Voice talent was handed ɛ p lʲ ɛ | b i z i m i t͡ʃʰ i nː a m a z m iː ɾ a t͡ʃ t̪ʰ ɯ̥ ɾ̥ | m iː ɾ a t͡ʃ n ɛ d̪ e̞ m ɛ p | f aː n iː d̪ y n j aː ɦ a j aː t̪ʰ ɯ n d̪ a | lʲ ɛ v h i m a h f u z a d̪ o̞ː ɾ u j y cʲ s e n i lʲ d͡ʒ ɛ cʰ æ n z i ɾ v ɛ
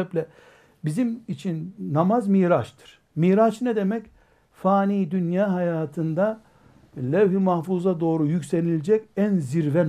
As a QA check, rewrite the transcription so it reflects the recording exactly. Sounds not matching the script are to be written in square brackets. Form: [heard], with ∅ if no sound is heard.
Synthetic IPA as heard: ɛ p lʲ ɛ | b i z i m i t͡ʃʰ i nː a m a z m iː ɾ a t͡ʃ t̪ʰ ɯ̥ ɾ̥ | m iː ɾ a t͡ʃ n ɛ d̪ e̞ m ɛ [c] | f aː n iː d̪ y n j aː ɦ a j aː t̪ʰ ɯ n d̪ a | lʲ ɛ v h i m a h f u z a d̪ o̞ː ɾ u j y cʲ s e n i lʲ d͡ʒ ɛ [c] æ n z i ɾ v ɛ